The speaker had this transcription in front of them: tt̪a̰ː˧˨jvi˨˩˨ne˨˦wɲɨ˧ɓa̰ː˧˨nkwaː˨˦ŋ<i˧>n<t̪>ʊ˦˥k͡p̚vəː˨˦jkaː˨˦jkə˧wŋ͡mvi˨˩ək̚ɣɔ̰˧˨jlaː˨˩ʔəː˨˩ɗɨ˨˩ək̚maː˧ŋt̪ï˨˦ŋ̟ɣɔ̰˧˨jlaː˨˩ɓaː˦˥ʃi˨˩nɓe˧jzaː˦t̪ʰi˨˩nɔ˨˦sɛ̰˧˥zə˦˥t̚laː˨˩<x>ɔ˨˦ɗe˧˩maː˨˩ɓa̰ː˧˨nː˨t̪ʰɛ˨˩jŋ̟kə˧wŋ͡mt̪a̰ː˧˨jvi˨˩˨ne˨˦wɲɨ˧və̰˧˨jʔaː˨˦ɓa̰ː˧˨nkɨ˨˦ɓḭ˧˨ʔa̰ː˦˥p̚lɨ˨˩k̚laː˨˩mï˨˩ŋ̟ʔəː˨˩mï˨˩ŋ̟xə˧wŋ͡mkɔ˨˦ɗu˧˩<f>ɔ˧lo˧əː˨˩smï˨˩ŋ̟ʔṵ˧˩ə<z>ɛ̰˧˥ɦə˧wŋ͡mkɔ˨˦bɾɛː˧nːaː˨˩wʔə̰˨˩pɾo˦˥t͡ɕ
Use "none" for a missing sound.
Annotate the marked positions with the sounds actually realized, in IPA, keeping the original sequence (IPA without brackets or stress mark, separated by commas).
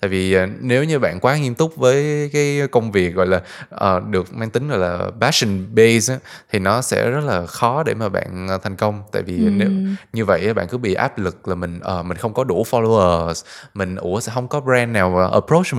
i˧, t̪, x, f, s